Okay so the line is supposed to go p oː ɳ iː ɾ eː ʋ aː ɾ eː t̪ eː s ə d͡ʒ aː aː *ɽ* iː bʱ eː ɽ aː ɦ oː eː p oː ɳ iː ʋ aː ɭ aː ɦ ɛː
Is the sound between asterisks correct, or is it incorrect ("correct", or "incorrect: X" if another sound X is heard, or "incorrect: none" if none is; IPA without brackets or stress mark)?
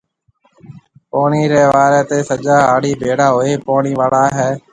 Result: correct